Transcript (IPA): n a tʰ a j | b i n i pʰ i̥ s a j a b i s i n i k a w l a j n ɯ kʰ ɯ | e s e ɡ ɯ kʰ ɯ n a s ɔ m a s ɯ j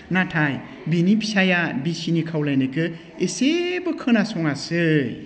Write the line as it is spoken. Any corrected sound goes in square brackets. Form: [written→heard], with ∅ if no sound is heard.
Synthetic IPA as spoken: n a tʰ a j | b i n i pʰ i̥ s a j a b i s i n i [k→kʰ] a w l a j n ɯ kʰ ɯ | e s e [ɡ→b] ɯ kʰ ɯ n a s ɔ [m→ŋ] a s ɯ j